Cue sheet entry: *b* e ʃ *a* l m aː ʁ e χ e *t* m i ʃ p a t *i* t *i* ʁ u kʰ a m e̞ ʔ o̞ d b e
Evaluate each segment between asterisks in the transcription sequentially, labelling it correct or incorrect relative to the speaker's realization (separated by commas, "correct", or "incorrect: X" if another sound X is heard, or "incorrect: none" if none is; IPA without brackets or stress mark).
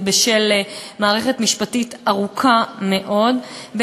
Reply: correct, incorrect: e, correct, correct, incorrect: a